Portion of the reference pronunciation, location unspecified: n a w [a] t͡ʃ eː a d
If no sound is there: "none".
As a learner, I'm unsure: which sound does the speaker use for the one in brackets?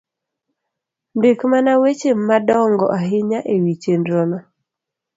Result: e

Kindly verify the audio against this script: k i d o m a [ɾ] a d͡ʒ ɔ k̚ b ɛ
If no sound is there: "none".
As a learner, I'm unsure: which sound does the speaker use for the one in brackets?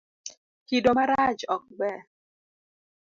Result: ɾ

